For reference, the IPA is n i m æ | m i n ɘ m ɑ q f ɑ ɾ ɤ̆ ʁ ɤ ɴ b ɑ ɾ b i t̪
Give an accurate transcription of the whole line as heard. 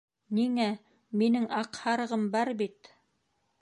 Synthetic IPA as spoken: n i ŋ æ | m i n ɘ ŋ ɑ q h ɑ ɾ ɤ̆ ʁ ɤ m b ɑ ɾ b i t̪